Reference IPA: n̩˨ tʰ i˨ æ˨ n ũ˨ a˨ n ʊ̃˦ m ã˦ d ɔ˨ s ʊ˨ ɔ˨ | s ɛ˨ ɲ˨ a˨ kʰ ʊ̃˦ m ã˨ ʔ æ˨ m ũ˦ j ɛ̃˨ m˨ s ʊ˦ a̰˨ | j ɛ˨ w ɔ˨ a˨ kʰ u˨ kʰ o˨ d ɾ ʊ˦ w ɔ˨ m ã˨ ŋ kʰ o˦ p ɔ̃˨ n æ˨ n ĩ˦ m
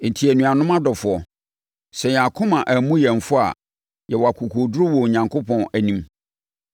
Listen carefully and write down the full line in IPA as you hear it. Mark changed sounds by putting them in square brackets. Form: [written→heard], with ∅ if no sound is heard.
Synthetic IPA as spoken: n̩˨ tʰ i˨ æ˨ n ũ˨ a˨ n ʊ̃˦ m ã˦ d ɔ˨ [s→f] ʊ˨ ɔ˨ | s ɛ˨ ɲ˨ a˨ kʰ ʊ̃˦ m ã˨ ʔ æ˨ m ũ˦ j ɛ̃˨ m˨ [s→f] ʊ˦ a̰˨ | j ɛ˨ w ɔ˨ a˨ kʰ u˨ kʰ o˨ d ɾ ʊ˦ w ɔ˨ [m→ɲ] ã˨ ŋ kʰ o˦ p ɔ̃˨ n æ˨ n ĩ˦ m

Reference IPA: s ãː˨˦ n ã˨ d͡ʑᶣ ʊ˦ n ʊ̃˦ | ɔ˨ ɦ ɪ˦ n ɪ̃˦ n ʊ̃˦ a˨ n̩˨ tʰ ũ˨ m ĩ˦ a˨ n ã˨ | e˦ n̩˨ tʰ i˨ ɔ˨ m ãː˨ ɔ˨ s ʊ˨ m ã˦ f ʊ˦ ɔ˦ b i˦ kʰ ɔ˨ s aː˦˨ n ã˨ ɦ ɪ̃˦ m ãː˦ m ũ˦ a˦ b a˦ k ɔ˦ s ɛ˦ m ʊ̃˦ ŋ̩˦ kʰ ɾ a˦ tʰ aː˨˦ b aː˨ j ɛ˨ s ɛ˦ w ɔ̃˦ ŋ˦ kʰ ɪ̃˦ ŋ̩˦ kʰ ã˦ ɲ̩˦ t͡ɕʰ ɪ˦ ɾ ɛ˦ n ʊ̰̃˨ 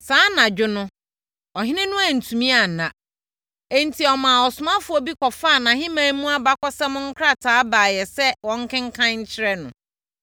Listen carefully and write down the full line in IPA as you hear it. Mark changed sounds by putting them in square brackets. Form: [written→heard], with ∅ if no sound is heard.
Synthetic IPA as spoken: s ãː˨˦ n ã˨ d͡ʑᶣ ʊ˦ n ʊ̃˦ | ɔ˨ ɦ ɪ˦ n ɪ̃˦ n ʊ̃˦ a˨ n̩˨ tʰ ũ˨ m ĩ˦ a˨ n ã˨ | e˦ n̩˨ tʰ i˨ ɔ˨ m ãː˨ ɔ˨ s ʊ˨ m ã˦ f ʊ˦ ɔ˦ b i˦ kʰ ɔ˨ [s→f] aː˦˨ n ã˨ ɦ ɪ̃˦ m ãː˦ m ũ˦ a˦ b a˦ k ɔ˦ s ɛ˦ m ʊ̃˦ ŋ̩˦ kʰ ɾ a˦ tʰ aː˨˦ b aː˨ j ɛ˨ s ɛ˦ w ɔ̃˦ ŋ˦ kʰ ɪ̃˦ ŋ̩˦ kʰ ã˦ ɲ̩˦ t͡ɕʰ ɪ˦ ɾ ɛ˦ n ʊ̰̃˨

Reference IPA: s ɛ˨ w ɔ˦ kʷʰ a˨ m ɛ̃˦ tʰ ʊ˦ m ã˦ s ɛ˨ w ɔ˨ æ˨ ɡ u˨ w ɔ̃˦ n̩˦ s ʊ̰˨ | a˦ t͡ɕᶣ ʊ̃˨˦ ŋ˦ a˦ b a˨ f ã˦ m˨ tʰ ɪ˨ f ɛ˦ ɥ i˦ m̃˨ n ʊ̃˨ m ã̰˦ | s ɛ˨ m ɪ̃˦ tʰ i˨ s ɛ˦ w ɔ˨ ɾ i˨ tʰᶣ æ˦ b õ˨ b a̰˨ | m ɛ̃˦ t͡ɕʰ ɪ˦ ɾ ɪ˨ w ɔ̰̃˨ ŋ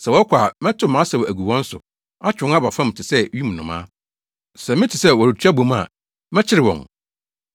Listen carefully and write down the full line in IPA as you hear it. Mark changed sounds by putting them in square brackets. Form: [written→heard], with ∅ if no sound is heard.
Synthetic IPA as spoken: s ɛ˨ w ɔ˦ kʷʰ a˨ m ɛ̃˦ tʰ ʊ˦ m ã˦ s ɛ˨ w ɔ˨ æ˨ ɡ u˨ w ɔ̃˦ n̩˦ s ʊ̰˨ | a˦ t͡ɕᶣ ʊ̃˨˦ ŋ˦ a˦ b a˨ f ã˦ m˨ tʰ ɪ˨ [f→s] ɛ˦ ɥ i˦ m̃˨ n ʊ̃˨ m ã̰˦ | s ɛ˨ m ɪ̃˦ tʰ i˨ s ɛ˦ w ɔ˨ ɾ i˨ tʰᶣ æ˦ b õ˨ [b→m] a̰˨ | m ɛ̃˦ t͡ɕʰ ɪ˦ ɾ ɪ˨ w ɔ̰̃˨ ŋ

